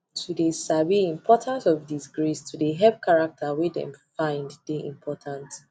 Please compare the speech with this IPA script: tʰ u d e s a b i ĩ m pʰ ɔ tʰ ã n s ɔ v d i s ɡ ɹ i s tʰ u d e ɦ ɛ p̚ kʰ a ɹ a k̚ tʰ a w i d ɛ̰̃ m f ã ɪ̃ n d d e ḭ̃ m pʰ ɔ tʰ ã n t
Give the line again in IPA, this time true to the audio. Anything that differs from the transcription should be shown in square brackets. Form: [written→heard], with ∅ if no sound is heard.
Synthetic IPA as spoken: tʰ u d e s a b i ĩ m pʰ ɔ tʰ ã n s ɔ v d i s ɡ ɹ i s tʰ u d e ɦ ɛ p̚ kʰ a ɹ a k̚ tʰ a w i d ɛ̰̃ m f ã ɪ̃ n d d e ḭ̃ m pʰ ɔ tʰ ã n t